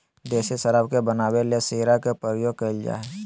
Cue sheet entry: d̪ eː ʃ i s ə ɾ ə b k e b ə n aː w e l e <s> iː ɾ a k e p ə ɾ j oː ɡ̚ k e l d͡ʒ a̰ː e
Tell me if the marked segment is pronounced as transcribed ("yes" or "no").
yes